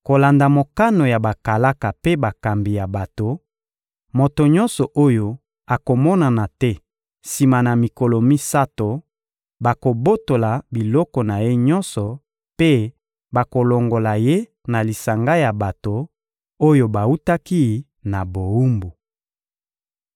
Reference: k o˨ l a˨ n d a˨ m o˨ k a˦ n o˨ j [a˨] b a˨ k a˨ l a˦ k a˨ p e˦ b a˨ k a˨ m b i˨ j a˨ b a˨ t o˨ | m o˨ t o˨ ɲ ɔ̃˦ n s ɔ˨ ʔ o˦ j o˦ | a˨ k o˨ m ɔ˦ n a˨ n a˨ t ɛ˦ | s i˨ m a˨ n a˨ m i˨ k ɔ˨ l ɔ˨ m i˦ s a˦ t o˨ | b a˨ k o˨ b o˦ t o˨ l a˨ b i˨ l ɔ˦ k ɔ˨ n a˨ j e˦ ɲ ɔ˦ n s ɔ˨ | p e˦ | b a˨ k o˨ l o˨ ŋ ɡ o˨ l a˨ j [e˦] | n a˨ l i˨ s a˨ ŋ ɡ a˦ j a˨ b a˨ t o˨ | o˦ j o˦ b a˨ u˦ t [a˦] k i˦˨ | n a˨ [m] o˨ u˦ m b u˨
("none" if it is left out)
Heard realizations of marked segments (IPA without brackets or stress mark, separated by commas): a˨, e˦, a˦, b